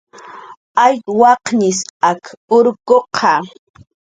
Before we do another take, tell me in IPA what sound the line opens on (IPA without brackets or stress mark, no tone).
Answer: a